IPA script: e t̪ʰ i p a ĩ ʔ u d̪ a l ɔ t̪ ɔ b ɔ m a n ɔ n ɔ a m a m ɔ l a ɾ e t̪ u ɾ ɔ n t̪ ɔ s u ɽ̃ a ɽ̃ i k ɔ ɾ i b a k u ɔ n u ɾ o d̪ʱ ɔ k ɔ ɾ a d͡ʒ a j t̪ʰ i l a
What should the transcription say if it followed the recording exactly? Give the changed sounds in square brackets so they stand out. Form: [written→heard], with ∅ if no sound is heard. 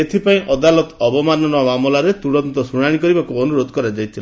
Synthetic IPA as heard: e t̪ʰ i p a ĩ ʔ [u→ɔ] d̪ a l ɔ t̪ ɔ b ɔ m a n ɔ n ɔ a m a m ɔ l a ɾ e t̪ u [ɾ→ɽ] ɔ n t̪ ɔ s u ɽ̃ a ɽ̃ i k ɔ ɾ i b a k u ɔ n u ɾ o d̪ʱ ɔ k ɔ ɾ a d͡ʒ a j t̪ʰ i l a